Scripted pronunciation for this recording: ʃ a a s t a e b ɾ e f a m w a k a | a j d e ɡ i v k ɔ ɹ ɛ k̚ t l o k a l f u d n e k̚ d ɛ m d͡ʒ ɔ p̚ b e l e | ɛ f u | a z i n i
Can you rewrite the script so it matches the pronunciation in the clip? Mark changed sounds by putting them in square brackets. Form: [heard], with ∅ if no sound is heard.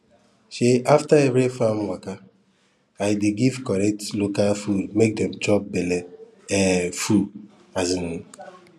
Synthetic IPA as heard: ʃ [e] a [f] t a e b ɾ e f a m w a k a | a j d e ɡ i v k ɔ [ɾ] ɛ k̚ t l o k a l f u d [m] e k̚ d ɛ m d͡ʒ ɔ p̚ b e l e | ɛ f u | a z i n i